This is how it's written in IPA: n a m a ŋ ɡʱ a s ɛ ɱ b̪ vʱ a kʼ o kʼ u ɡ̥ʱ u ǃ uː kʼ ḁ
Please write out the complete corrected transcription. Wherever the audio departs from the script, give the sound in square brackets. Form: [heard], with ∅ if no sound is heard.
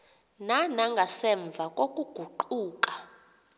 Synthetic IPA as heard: n a [n] a ŋ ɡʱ a s ɛ ɱ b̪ vʱ a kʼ o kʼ u ɡ̥ʱ u ǃ uː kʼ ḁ

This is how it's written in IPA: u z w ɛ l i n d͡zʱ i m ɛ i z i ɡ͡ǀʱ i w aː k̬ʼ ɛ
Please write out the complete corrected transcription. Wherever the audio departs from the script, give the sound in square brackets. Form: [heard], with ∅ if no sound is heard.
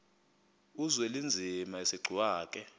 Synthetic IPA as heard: u z w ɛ l i n d͡zʱ i m [a] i [s] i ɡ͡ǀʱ i w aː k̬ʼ ɛ

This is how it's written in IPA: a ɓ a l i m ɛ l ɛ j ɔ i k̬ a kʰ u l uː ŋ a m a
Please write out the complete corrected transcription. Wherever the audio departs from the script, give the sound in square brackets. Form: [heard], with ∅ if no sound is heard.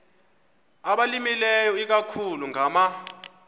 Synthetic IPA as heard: a ɓ a l i m [i] l ɛ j ɔ i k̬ a kʰ u l [u] ŋ a m a

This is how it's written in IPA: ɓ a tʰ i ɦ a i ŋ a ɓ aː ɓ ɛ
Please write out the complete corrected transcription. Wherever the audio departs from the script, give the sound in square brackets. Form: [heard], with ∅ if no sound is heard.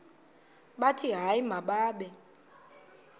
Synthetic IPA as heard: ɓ a tʰ i ɦ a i [m] a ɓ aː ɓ ɛ

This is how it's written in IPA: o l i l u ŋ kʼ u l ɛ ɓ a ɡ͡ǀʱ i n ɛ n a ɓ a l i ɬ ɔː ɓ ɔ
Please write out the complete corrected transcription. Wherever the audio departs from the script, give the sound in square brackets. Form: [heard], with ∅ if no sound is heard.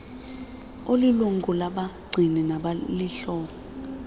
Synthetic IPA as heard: o l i l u ŋ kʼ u l [a] ɓ a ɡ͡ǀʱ i n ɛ n a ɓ a l i ɬ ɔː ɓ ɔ

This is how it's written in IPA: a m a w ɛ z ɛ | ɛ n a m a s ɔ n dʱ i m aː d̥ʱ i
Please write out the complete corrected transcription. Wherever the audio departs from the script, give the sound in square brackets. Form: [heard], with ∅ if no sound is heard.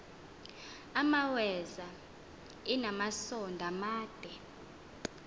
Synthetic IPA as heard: a m a w ɛ z [a] | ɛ n a m a s ɔ n dʱ [a] m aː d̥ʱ [ɛ]

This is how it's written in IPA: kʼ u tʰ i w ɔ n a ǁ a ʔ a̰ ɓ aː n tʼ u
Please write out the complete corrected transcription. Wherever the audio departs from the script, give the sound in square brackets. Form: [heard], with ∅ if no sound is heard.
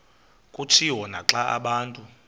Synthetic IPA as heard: kʼ u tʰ i w ɔ n a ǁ a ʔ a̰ ɓ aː n tʼ u

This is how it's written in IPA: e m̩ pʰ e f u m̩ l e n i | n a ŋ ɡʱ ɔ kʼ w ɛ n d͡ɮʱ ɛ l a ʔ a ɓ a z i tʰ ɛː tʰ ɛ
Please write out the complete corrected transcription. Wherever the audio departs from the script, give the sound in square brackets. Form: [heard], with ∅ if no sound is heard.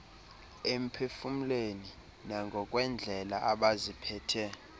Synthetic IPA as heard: e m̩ pʰ e f u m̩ l e n i | n a ŋ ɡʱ ɔ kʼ w ɛ n d͡ɮʱ ɛ l a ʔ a ɓ a z i [pʰ] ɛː tʰ ɛ

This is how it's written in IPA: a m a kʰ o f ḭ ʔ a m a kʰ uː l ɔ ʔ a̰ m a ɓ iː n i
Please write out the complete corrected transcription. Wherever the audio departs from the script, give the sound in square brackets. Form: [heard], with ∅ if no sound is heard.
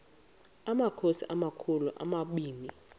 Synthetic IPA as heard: a m a kʰ o [s] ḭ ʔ a m a kʰ [u] l [u] ʔ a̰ m a ɓ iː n i

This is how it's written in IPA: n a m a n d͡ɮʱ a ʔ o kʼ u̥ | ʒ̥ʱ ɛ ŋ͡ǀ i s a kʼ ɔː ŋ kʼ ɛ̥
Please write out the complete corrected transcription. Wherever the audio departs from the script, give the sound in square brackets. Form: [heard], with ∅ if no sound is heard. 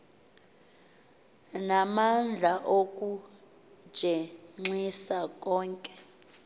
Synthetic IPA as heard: n a m a n d͡ɮʱ a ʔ o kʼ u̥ | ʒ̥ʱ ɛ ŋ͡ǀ i s a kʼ ɔː ŋ kʼ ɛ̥

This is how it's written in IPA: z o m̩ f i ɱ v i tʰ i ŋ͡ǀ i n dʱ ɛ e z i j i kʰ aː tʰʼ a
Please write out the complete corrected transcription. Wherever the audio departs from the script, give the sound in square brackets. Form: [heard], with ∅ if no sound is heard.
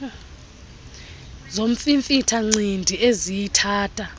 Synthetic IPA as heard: z o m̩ f i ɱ [f] i tʰ [a] ŋ͡ǀ i n dʱ [i] e z i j i [tʰ] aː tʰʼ a

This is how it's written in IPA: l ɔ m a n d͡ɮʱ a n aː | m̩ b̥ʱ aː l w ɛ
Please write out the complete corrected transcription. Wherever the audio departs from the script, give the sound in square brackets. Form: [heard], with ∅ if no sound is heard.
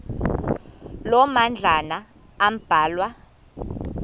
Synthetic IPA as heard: l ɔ m a n d͡ɮʱ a n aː | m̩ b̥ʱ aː l w [a]

